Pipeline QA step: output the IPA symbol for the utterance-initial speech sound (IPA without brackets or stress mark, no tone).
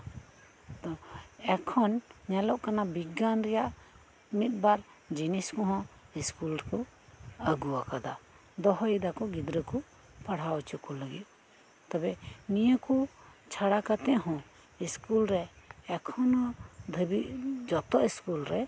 t̪